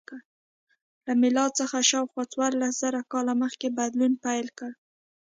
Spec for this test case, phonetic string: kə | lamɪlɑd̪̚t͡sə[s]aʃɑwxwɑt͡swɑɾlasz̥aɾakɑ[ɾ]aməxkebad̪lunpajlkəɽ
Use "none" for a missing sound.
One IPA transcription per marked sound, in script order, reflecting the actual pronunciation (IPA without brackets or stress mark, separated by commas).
x, l